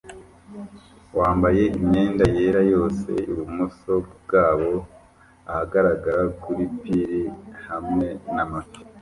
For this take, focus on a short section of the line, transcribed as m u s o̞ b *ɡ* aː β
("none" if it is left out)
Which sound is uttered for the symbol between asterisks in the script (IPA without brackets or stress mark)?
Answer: ɡ